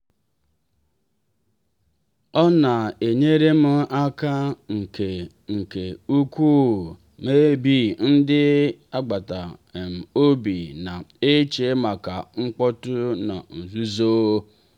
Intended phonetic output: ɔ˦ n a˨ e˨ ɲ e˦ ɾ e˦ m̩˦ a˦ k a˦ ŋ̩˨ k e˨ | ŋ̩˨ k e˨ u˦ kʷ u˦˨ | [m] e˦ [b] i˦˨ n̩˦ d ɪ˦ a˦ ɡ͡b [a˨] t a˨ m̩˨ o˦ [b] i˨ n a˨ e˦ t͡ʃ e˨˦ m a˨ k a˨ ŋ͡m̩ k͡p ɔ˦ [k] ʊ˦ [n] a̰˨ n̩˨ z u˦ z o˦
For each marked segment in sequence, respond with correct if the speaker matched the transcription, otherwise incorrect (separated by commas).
correct, correct, correct, correct, incorrect, correct